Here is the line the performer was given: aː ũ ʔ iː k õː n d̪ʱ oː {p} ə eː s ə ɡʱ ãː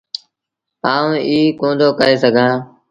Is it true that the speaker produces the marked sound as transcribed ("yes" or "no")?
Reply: no